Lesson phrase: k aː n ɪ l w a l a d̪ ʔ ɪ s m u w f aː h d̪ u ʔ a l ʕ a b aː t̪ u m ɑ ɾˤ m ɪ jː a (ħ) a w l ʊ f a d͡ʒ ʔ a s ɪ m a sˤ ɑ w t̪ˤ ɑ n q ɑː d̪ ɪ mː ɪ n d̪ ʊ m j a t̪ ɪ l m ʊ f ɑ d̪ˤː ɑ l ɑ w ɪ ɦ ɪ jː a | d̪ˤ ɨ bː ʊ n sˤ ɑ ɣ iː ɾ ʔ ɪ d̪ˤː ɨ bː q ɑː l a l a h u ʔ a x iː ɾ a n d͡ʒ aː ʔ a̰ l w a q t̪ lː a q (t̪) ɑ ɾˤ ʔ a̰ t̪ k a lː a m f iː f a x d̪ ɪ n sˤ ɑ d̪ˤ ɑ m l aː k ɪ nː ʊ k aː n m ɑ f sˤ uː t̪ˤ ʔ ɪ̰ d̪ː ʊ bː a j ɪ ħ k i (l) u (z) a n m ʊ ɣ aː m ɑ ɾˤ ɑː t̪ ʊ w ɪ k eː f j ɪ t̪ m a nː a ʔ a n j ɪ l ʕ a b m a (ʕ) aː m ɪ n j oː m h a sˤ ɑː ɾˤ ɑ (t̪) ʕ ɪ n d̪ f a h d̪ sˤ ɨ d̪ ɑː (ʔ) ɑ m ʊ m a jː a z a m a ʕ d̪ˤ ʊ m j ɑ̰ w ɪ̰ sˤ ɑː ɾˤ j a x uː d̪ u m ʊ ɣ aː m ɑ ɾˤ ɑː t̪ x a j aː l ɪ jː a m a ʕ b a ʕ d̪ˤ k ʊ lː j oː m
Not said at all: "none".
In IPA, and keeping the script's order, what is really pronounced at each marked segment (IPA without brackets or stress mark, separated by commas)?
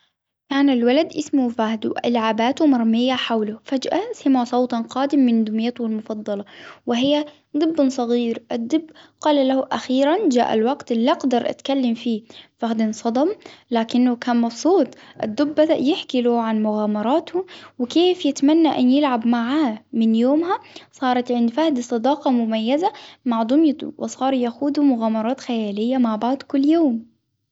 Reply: ħ, d̪, l, ʕ, ʕ, t̪, q